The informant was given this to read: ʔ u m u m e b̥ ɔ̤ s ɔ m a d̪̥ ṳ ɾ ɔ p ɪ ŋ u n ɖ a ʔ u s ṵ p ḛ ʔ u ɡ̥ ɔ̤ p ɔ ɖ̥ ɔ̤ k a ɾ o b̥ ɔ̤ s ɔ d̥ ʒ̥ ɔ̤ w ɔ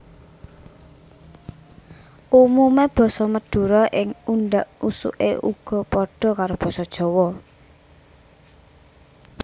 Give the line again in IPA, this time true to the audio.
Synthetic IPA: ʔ u m u m e b̥ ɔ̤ s ɔ m ə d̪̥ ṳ ɾ ɔ ʔ ɪ ŋ u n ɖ a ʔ u s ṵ ʔ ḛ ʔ u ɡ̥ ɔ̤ p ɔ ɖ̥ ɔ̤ k a ɾ o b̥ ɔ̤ s ɔ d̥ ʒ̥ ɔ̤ w ɔ